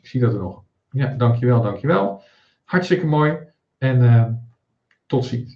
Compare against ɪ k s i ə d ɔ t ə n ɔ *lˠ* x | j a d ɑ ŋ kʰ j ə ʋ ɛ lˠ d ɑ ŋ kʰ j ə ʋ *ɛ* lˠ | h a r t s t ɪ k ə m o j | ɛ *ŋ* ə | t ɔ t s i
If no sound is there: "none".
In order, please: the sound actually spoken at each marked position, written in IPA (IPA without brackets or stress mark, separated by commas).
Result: none, ɛ, n